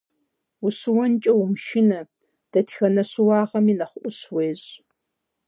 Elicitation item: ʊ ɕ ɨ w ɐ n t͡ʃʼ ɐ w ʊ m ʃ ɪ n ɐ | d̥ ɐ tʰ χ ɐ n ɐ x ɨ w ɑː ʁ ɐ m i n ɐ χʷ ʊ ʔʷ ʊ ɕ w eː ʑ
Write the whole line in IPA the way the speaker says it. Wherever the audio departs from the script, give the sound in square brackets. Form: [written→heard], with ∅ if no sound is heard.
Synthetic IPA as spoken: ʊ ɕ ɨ w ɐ n t͡ʃʼ ɐ w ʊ m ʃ ɪ n ɐ | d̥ ɐ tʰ [χ→x] ɐ n ɐ [x→ɕ] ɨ w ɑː ʁ ɐ m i n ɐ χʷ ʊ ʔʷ ʊ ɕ w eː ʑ